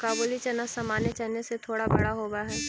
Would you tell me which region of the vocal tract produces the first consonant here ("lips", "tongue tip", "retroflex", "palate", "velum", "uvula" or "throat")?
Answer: velum